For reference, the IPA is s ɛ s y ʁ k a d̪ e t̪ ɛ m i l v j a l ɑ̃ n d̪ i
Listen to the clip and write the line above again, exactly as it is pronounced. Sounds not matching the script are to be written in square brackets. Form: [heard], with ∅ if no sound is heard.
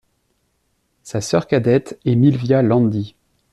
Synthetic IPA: s [a] s [œ] ʁ k a d̪ [ɛ] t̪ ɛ m i l v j a l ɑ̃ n d̪ i